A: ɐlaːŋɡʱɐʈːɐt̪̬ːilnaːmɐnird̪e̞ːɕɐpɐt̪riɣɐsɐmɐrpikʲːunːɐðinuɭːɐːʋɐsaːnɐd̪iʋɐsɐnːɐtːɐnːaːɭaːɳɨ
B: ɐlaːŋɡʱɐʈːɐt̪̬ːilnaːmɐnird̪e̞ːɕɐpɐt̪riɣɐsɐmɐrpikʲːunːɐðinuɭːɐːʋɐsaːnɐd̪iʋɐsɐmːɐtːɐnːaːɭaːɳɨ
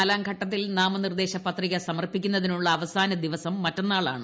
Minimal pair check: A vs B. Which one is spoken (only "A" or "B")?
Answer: B